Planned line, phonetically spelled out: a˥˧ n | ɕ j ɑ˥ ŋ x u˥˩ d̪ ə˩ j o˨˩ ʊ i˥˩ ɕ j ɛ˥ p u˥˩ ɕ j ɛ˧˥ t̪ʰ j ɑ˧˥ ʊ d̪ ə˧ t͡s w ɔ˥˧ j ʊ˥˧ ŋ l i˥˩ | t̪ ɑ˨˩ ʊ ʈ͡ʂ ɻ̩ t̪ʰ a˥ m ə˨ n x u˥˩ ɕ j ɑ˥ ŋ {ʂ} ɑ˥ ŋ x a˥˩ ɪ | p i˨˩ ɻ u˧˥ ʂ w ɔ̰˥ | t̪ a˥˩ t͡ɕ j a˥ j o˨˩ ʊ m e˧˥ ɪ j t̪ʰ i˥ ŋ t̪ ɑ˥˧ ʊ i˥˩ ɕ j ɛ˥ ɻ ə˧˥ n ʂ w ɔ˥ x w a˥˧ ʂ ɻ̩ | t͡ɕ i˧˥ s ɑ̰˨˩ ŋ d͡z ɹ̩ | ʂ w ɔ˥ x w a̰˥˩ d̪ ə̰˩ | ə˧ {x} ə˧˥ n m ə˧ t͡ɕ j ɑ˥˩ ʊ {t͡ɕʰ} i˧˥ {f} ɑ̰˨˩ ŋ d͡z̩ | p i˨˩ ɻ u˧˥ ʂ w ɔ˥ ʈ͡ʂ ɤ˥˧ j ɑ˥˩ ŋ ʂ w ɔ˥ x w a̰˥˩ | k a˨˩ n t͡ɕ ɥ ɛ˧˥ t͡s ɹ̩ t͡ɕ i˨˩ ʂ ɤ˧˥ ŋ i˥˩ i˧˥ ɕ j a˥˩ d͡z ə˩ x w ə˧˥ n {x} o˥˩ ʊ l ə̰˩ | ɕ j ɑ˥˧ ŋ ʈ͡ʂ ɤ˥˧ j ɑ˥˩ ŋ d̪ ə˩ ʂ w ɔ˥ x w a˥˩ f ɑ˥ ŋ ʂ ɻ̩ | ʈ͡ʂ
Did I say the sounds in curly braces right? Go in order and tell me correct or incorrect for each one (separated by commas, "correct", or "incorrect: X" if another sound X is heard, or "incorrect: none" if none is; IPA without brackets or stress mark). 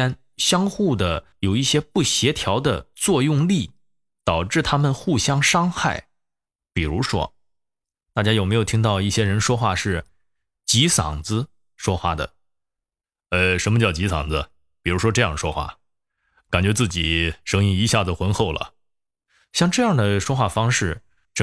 correct, incorrect: ʂ, incorrect: t͡ɕ, incorrect: s, correct